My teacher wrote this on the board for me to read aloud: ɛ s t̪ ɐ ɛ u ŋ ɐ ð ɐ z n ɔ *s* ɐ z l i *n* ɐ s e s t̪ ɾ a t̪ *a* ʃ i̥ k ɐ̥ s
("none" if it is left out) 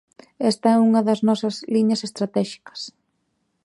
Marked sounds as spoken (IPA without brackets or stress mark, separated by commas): s, ɲ, ɛ